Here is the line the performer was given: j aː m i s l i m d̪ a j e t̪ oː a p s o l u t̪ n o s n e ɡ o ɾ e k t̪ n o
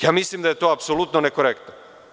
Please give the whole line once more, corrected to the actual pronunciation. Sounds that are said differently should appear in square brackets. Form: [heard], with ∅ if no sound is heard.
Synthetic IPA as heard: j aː m i s l i m d̪ a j e t̪ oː a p s o l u t̪ n o [∅] n e [k] o ɾ e k t̪ n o